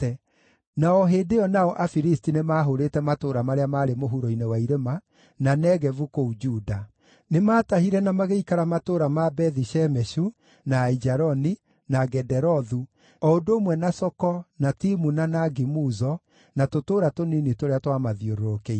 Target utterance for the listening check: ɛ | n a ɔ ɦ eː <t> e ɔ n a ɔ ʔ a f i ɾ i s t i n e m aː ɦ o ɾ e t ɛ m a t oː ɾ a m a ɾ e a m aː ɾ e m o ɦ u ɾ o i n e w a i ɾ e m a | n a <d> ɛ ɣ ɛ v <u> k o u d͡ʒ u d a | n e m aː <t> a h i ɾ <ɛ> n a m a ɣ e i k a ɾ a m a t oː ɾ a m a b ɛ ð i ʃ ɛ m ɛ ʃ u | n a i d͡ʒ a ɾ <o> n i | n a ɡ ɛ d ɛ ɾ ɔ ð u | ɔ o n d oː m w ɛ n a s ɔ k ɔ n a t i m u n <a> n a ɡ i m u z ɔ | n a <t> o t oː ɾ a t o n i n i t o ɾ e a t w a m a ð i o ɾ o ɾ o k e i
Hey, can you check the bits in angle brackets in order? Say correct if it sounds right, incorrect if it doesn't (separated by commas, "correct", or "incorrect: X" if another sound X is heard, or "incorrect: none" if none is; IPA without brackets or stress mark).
incorrect: d, incorrect: n, correct, correct, correct, incorrect: ɔ, correct, correct